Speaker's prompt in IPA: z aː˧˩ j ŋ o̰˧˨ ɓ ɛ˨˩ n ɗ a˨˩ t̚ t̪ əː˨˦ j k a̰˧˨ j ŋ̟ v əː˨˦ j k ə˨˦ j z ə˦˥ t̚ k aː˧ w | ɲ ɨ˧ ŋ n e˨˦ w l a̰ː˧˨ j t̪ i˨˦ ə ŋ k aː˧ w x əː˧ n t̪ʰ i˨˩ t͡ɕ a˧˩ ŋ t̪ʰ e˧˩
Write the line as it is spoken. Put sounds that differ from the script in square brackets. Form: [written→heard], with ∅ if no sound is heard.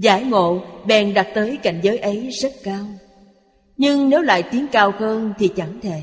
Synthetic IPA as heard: z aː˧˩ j ŋ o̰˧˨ ɓ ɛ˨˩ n ɗ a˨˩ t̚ t̪ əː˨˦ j k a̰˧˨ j ŋ̟ [v→z] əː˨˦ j [k→ʔ] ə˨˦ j z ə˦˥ t̚ k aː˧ w | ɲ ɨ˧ ŋ n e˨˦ w l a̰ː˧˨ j t̪ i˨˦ ə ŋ k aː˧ w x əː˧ n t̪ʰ i˨˩ t͡ɕ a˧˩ ŋ t̪ʰ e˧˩